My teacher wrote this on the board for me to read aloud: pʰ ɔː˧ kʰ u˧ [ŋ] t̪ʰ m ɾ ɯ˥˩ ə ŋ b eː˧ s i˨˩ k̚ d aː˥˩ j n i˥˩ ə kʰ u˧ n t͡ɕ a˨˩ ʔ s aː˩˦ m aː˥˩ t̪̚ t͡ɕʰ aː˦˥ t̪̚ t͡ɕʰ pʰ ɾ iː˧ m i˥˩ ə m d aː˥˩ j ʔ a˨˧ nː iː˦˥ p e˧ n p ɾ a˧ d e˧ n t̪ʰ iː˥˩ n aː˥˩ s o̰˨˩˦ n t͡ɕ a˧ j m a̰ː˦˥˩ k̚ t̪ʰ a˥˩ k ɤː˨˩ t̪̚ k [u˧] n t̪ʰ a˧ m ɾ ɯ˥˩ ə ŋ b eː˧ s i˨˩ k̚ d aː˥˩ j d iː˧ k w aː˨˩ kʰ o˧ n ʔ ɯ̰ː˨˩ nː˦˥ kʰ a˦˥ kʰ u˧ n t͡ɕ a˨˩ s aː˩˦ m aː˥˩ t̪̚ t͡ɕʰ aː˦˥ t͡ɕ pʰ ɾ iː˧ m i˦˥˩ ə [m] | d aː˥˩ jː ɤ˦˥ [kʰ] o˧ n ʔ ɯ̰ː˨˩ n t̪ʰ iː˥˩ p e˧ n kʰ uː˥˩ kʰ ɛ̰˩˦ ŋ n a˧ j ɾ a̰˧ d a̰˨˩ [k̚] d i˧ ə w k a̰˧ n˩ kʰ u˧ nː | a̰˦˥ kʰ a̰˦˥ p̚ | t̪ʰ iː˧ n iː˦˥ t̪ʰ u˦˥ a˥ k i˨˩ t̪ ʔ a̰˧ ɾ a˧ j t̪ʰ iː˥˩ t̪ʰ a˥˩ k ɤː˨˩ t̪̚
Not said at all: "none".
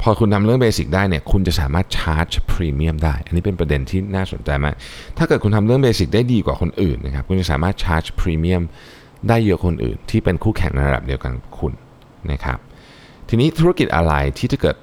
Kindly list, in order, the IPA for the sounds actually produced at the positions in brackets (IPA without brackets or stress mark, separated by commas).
n, u˧, m, kʰ, p̚